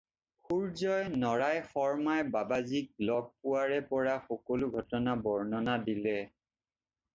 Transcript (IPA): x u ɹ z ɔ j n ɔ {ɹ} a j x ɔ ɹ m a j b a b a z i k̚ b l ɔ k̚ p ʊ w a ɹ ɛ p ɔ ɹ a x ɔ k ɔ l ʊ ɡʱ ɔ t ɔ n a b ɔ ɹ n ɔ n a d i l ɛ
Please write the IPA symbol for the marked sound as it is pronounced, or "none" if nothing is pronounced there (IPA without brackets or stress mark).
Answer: ɹ